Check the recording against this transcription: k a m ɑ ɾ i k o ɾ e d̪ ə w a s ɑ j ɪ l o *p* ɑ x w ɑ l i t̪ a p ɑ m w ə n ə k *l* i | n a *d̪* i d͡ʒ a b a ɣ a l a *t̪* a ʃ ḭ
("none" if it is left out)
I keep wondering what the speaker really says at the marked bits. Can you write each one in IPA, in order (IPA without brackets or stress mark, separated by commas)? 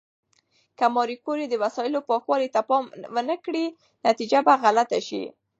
p, ɽ, t̪, t̪